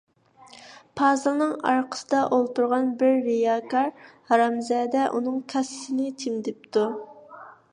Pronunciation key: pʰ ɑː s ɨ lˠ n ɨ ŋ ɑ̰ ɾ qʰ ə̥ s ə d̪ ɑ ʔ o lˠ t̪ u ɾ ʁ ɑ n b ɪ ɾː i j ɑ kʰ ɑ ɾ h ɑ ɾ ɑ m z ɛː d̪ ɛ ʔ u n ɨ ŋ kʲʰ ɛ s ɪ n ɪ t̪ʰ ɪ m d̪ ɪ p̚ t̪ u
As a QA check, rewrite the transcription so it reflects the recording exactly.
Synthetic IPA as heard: pʰ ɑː z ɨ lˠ n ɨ ŋ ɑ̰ ɾ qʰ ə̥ s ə d̪ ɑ ʔ o lˠ t̪ u ɾ ʁ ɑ n b ɪ ɾː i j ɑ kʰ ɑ ɾ h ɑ ɾ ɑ m z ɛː d̪ ɛ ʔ u n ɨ ŋ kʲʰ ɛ s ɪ n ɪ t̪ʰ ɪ m d̪ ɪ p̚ t̪ u